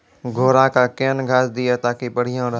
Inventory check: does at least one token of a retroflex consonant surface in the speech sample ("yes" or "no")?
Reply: yes